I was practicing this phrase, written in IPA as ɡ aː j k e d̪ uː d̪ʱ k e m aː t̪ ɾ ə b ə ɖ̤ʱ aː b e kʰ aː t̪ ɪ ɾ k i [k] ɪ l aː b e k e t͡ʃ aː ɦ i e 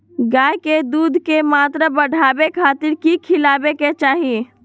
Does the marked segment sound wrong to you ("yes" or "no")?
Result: yes